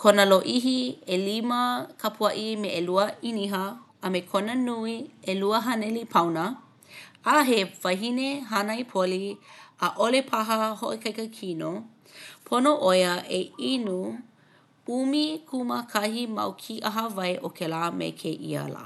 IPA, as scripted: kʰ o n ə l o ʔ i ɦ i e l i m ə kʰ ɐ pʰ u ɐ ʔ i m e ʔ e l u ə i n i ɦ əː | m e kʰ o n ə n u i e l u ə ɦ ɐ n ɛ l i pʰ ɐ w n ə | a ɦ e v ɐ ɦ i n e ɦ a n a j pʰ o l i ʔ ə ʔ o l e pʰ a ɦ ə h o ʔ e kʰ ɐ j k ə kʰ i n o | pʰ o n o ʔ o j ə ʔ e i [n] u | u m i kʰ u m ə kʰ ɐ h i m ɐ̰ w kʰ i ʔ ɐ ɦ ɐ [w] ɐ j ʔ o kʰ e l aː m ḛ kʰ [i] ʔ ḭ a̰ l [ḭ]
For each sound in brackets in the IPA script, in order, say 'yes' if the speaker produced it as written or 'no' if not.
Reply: yes, no, no, no

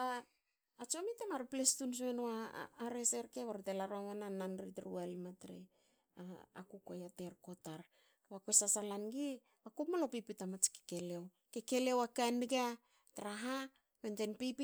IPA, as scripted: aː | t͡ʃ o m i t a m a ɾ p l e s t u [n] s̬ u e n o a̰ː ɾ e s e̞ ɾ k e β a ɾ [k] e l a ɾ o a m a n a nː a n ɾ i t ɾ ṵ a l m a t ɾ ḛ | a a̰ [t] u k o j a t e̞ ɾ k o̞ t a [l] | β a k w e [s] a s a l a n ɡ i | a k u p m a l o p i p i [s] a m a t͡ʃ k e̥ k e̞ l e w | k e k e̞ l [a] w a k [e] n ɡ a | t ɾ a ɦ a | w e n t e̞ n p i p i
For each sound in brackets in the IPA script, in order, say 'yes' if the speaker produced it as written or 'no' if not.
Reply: yes, no, no, no, yes, no, no, no

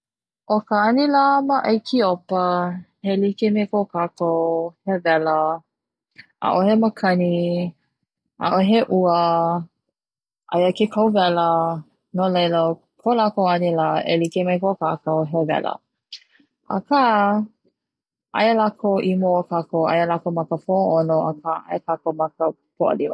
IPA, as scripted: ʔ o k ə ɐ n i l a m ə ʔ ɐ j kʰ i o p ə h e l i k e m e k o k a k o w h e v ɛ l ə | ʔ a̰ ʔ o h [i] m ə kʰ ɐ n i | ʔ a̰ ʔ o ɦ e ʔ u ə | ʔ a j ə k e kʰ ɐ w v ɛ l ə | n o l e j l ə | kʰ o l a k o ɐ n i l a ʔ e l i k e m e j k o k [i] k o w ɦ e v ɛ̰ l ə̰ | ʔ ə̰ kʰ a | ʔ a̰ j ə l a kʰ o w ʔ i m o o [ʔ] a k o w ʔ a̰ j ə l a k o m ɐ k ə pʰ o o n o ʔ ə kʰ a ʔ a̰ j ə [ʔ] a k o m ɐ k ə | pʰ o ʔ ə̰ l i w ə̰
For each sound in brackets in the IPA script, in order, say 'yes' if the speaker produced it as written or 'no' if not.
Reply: no, no, no, no

